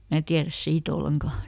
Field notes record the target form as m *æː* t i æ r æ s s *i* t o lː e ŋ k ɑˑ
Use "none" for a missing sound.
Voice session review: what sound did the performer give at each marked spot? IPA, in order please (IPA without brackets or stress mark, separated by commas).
æː, iː